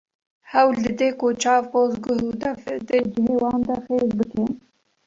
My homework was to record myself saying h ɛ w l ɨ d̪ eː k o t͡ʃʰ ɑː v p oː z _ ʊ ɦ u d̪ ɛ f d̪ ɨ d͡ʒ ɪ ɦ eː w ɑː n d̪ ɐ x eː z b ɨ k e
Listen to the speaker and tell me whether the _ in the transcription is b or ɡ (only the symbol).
ɡ